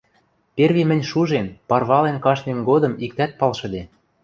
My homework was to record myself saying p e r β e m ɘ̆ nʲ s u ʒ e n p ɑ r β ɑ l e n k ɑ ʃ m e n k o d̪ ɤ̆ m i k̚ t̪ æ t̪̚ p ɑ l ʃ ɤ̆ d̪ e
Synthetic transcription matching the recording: p e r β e m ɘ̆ nʲ ʃ u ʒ e n p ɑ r β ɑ l e n k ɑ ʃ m e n ɡ o d̪ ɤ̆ m i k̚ t̪ æ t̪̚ p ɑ l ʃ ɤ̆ d̪ e